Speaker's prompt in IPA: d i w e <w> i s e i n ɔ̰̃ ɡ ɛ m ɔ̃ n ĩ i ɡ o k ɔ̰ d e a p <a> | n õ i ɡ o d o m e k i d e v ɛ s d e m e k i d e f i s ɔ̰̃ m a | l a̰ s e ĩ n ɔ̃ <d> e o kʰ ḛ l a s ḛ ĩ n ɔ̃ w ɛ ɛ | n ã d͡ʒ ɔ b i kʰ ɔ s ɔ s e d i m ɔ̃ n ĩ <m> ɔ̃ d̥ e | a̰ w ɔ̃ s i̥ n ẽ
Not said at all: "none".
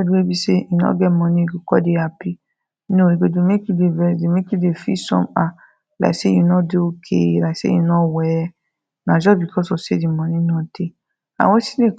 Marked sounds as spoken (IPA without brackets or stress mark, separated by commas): b, i, d, n